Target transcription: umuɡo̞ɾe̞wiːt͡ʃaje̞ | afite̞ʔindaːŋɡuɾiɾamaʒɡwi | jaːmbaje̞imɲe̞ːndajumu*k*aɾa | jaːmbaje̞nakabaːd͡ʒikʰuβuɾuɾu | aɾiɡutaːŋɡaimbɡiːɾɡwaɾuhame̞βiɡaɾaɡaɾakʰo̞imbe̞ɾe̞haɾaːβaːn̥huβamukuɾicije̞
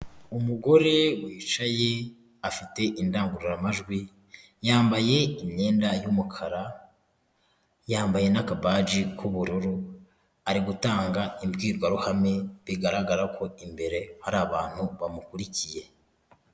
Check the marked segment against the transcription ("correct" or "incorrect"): incorrect